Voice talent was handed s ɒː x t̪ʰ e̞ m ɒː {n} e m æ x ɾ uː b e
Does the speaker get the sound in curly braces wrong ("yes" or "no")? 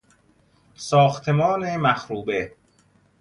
no